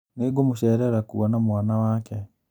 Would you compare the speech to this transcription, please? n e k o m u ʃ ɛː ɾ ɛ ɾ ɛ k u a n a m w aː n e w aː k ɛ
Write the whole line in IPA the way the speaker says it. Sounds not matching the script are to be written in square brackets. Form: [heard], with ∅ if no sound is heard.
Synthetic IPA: n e [ɡ] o m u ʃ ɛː ɾ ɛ ɾ [a] k u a n a m w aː n [a] w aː k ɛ